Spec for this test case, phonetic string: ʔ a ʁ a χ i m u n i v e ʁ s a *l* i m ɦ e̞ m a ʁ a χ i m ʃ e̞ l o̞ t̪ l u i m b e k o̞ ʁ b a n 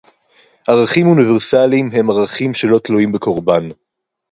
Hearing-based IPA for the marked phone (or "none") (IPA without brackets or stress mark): l